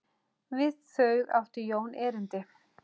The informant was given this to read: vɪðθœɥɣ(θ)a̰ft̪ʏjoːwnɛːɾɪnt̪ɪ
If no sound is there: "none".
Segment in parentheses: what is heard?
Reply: ð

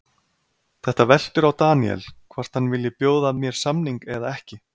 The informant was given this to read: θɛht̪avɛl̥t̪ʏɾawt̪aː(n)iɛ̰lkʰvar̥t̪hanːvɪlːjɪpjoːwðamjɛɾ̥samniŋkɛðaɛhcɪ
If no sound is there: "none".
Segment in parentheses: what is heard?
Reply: n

